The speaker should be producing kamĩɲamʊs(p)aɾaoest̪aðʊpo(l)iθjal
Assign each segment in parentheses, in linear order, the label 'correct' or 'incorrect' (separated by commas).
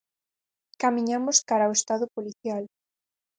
incorrect, correct